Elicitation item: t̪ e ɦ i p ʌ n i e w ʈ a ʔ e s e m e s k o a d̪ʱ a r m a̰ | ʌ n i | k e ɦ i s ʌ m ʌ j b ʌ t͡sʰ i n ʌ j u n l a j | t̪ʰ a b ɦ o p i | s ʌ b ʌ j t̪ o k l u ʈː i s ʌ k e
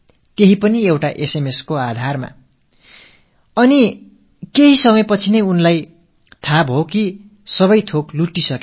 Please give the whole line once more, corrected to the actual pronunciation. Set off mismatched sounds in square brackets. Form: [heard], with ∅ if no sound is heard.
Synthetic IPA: t̪ e ɦ i p ʌ n i e w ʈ a ʔ e s e m e s k o a d̪ʱ a r m a̰ | ʌ n i | k e ɦ i s ʌ m ʌ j [p] ʌ t͡sʰ i n ʌ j u n l a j | t̪ʰ a b ɦ o [k] i | s ʌ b ʌ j [t̪ʰ] o k l u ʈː i s ʌ k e

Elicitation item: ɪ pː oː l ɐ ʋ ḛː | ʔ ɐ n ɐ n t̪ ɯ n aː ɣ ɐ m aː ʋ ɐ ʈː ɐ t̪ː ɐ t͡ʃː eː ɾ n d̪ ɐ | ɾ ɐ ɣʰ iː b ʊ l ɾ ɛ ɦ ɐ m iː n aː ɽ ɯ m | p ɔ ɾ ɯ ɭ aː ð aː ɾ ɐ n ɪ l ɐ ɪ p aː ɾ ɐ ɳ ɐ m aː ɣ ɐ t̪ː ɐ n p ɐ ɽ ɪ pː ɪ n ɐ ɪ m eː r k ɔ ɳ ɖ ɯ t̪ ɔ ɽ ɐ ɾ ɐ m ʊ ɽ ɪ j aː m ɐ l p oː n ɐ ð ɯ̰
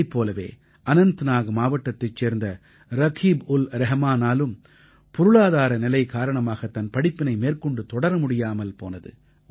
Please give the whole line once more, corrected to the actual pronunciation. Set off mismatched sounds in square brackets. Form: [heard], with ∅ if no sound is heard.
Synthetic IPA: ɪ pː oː l ɐ ʋ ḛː | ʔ ɐ n ɐ n t̪ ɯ n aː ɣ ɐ m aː ʋ ɐ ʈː ɐ t̪ː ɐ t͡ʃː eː ɾ n d̪ ɐ | ɾ ɐ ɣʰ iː b ʊ l ɾ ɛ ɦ ɐ m [aː] n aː [l] ɯ m | p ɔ ɾ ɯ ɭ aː ð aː ɾ ɐ n ɪ l ɐ ɪ [k] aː ɾ ɐ ɳ ɐ m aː ɣ ɐ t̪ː ɐ n p ɐ ɽ ɪ pː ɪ n ɐ ɪ m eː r k ɔ ɳ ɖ ɯ t̪ ɔ ɽ ɐ ɾ ɐ m ʊ ɽ ɪ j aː m ɐ l p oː n ɐ ð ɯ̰

